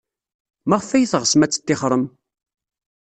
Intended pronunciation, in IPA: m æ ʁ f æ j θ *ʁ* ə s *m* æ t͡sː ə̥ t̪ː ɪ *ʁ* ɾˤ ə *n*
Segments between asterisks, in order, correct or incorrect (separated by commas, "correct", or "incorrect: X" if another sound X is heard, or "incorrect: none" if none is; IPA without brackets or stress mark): correct, correct, incorrect: χ, incorrect: m